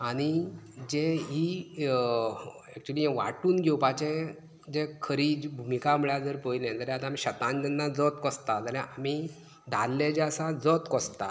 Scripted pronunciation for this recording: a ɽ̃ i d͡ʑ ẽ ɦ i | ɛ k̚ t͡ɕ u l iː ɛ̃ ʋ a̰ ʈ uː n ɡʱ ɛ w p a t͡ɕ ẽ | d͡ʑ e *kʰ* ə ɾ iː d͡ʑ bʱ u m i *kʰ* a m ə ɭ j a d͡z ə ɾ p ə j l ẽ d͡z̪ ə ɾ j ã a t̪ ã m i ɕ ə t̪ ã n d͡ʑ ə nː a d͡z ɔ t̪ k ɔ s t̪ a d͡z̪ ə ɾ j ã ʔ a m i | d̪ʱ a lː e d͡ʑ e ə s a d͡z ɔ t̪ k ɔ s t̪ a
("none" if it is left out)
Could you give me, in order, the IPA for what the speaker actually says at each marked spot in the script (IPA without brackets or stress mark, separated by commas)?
kʰ, k